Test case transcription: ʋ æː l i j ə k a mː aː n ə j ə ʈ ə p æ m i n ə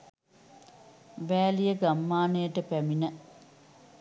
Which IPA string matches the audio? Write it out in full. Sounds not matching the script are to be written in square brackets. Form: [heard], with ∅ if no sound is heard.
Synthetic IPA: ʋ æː l i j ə [ɡ] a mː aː n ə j ə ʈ ə p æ m i n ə

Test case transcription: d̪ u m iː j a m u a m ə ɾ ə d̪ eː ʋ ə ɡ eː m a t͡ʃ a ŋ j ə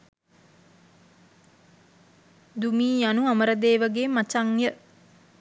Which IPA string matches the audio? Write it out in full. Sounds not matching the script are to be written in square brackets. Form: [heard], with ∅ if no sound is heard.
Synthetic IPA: d̪ u m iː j a [n] u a m ə ɾ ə d̪ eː ʋ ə ɡ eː m a t͡ʃ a ŋ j ə

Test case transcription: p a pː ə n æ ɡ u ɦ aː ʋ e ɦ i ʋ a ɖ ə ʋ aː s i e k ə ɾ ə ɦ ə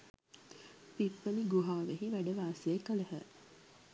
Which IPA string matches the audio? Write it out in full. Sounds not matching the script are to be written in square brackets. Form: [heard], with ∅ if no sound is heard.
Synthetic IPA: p [i] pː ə n [i] ɡ u ɦ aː ʋ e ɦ i ʋ [æ] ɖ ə ʋ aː s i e k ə [l] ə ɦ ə

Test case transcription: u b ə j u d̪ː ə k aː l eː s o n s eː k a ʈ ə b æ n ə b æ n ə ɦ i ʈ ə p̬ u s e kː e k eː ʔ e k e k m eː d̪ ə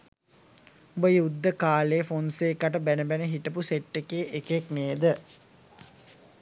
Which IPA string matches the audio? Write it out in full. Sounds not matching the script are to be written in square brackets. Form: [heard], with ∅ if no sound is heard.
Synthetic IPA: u b ə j u d̪ː ə k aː l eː [f] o n s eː k a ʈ ə b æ n ə b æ n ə ɦ i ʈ ə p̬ u s e [ʈː] e k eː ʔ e k e k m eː d̪ ə

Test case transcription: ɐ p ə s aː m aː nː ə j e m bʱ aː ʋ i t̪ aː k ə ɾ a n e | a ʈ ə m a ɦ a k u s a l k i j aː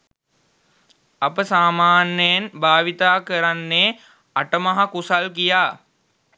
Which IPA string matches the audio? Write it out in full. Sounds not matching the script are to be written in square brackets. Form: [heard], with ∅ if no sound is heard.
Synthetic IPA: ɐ p ə s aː m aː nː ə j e [n] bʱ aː ʋ i t̪ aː k ə ɾ a [nː] e | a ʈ ə m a ɦ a k u s a l k i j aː

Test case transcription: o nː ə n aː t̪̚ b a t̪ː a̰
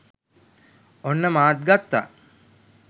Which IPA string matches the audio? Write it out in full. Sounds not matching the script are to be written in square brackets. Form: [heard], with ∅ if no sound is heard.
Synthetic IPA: o nː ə [m] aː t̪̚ [ɡ] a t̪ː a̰

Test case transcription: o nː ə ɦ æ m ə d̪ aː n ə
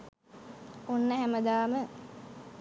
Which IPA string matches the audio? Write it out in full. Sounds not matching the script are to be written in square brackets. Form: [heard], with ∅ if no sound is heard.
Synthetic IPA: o nː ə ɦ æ m ə d̪ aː [m] ə

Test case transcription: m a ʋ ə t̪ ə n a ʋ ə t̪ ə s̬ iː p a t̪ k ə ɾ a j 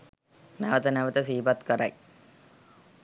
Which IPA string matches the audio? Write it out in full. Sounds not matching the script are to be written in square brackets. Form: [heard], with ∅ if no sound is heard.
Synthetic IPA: [n] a ʋ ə t̪ ə n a ʋ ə t̪ ə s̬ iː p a t̪ k ə ɾ a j

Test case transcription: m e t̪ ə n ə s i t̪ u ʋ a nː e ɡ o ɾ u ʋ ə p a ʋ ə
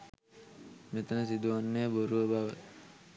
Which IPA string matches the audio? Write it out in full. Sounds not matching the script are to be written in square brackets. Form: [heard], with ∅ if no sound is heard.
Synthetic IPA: m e t̪ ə n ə s i [d̪] u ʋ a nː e [b] o ɾ u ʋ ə [b] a ʋ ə

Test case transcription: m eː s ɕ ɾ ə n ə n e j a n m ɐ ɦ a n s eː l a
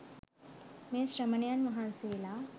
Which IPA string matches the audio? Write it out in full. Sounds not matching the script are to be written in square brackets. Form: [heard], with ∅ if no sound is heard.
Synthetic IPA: m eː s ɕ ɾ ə [m] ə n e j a n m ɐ ɦ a n s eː l a

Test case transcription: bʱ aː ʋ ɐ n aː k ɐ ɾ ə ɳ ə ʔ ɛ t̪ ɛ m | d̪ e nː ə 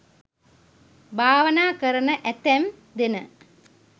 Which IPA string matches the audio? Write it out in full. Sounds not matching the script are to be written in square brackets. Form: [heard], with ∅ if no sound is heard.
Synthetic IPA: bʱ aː ʋ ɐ n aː k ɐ ɾ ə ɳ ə ʔ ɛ t̪ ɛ m | d̪ e [n] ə

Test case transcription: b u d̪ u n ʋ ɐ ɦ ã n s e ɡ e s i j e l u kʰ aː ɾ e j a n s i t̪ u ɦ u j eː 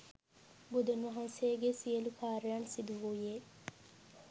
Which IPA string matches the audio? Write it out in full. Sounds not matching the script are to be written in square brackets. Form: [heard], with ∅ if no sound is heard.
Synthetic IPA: b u d̪ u n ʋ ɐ ɦ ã n s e ɡ e s i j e l u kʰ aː ɾ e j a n s i [d̪] u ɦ u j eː

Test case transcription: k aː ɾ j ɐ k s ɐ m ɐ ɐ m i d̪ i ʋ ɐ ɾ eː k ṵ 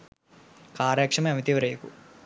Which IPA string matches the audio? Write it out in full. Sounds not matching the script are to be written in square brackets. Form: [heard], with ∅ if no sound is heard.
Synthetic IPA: k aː ɾ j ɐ k [ʂ] ɐ m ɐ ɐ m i [t̪] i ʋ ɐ ɾ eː k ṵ

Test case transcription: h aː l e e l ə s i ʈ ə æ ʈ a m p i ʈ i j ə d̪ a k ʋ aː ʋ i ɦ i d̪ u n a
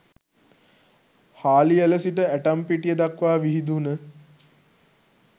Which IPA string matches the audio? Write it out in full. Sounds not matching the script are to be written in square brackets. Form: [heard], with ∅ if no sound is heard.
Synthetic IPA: h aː l [i] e l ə s i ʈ ə æ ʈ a m p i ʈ i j ə d̪ a k ʋ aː ʋ i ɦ i d̪ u n [ə]

